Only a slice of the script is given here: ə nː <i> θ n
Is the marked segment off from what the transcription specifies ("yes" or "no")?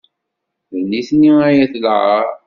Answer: no